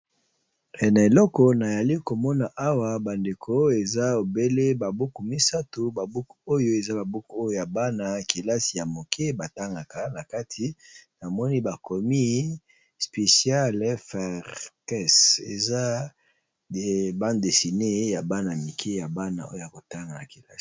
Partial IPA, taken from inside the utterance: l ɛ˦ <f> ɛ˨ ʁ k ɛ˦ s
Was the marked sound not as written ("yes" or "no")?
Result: no